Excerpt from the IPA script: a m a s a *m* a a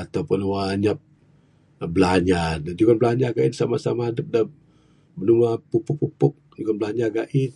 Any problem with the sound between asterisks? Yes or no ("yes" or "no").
no